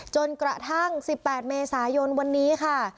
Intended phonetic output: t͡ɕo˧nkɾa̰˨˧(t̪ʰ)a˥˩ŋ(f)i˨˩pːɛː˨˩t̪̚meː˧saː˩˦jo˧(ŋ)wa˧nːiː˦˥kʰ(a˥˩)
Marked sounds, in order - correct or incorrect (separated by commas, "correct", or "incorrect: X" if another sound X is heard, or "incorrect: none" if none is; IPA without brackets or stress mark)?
correct, incorrect: s, incorrect: n, correct